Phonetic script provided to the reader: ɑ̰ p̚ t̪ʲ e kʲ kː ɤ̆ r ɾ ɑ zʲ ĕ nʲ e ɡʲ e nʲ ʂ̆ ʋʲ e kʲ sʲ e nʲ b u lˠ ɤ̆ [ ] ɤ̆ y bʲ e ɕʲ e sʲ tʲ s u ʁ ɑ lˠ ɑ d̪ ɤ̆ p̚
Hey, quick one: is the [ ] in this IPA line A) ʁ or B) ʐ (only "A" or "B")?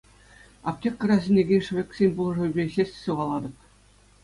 B